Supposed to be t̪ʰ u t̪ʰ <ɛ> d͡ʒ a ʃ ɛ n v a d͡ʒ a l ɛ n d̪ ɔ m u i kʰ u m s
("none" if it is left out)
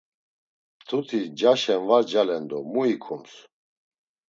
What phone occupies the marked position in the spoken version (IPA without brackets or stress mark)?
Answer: i